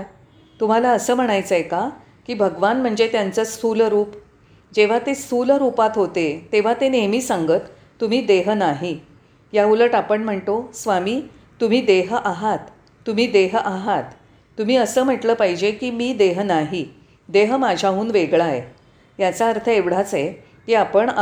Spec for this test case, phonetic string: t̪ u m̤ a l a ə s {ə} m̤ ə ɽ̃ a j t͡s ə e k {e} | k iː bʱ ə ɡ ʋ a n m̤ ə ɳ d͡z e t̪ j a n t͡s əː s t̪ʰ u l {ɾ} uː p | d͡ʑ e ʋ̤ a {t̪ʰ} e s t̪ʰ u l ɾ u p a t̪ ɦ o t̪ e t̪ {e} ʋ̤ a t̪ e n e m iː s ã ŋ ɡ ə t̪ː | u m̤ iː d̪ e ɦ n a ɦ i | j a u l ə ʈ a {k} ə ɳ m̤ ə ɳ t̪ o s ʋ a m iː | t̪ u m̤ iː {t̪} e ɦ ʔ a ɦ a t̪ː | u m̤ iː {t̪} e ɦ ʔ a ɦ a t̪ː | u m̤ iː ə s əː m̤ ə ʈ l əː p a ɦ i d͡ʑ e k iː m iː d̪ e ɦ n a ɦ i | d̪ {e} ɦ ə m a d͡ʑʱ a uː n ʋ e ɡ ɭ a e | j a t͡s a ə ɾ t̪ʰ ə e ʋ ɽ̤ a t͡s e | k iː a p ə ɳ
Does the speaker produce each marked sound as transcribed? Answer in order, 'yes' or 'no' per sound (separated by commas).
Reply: no, no, yes, no, yes, no, no, no, yes